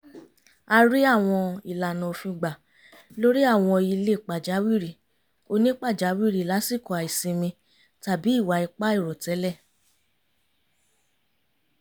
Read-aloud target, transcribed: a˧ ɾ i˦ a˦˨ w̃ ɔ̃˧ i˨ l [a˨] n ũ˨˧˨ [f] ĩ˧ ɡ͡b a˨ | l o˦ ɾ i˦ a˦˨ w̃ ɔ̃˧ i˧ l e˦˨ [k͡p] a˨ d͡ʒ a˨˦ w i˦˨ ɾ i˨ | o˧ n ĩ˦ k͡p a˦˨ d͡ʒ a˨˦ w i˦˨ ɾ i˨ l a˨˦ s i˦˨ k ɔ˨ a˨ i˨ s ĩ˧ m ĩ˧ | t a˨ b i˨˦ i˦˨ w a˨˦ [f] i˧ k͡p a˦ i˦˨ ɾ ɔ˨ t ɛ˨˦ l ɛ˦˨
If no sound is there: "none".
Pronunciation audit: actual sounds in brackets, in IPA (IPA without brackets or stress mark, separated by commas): a˨, f, k͡p, none